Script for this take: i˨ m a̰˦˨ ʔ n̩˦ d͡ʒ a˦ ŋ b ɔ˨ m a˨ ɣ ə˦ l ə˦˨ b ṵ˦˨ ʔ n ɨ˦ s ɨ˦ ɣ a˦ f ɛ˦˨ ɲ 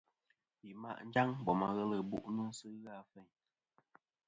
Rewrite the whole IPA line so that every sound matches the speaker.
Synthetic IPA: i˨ m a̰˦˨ ʔ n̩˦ d͡ʒ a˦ ŋ b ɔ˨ m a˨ ɣ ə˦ l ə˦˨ b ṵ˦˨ ʔ n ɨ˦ s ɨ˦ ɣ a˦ f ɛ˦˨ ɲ